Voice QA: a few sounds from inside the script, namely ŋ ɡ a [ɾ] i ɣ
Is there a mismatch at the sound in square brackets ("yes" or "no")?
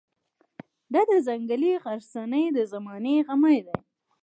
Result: yes